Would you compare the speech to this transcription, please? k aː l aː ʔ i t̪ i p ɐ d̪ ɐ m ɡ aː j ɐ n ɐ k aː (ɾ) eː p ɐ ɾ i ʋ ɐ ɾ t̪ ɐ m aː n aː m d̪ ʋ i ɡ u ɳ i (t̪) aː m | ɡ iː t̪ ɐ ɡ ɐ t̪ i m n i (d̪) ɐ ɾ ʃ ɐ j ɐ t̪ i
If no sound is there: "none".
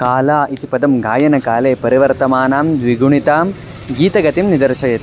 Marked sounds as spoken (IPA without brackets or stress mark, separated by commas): l, t̪, d̪